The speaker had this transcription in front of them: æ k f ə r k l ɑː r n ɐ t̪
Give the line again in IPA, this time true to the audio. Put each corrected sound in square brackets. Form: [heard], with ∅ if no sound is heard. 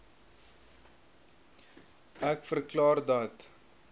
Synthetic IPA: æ k f ə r k l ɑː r [d] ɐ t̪